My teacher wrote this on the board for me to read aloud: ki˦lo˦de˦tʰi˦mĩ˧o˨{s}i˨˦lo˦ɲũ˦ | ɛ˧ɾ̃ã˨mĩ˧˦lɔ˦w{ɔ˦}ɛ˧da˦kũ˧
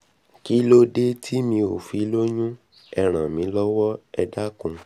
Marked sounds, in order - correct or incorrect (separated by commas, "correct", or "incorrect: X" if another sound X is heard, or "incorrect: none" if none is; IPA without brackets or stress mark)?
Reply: incorrect: f, correct